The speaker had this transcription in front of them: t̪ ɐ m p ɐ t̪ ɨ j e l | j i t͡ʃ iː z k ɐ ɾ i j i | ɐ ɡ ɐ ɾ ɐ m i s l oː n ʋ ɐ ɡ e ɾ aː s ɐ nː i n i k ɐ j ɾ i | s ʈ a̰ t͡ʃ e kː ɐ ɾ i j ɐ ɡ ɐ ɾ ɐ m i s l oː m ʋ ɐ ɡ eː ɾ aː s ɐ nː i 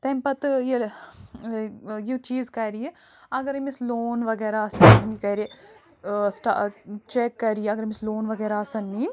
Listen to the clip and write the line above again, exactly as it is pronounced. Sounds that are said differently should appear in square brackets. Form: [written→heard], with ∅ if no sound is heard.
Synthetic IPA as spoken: t̪ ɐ m p ɐ t̪ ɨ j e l | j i t͡ʃ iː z k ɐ ɾ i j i | ɐ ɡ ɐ ɾ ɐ m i s l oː n ʋ ɐ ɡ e ɾ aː s ɐ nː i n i k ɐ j ɾ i | s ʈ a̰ t͡ʃ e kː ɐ ɾ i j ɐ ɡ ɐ ɾ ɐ m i s l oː [m→n] ʋ ɐ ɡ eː ɾ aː s ɐ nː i